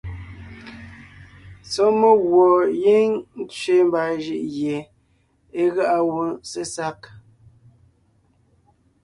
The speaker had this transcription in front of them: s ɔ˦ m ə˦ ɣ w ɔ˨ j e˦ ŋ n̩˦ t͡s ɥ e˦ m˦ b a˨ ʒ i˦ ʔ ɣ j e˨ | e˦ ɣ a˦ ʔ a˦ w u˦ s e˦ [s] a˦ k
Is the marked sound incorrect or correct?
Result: correct